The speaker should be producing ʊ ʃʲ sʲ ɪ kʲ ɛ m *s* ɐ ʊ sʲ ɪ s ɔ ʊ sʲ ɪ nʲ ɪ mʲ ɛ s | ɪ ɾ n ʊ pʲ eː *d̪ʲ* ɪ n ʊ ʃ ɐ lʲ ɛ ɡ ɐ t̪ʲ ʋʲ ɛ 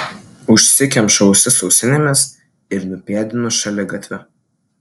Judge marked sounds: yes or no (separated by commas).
no, yes